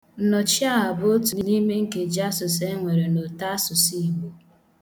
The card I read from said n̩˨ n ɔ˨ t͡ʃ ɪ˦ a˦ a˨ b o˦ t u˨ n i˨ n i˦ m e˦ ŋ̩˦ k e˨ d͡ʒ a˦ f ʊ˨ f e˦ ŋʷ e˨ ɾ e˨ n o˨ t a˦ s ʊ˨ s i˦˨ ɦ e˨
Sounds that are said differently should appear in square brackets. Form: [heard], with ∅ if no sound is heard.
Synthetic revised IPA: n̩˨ n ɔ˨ t͡ʃ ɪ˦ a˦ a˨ b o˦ t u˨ n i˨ n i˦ m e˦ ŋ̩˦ k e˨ d͡ʒ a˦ [s] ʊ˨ [s] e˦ ŋʷ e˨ ɾ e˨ n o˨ t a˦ s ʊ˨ s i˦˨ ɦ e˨